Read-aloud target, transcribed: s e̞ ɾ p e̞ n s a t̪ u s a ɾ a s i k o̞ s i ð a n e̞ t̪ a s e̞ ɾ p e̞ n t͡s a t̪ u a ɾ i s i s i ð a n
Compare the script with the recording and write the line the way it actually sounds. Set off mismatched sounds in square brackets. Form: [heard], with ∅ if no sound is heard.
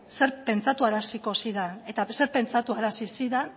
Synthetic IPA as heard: s e̞ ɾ p e̞ n [t͡s] a t̪ u [∅] a ɾ a s i k o̞ s i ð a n e̞ t̪ a s e̞ ɾ p e̞ n t͡s a t̪ u a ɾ [a] s i s i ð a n